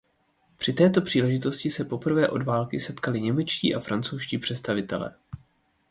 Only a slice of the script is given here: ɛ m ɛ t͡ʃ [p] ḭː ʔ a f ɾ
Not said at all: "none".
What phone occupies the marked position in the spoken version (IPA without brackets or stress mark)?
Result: c